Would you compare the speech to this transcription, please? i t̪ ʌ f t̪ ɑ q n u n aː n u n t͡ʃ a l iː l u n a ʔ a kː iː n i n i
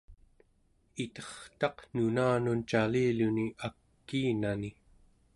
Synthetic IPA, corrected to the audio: i t̪ ʌ χ t̪ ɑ q n u n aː n u n t͡ʃ a l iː l u n i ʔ a kː iː n a n i